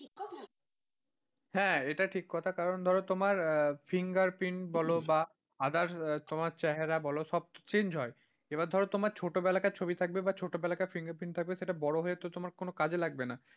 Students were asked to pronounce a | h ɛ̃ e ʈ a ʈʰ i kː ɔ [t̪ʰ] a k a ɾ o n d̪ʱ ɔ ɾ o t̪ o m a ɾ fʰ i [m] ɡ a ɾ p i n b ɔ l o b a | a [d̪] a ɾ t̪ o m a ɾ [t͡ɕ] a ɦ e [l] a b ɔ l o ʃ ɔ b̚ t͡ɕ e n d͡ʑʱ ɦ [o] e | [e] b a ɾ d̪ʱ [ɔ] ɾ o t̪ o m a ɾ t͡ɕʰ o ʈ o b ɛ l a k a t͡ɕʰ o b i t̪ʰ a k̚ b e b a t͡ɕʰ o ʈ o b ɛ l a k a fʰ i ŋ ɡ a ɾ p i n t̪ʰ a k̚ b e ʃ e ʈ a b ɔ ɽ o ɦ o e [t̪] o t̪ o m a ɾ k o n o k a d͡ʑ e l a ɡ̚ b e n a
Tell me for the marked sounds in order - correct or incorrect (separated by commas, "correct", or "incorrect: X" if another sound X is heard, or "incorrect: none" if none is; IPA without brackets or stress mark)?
correct, incorrect: ŋ, correct, correct, incorrect: ɾ, incorrect: ɔ, correct, correct, correct